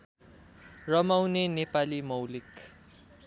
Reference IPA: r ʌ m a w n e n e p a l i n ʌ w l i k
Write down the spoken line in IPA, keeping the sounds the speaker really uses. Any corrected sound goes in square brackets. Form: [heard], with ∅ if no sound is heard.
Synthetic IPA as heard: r ʌ m a w n e n e p a l i [m] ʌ w l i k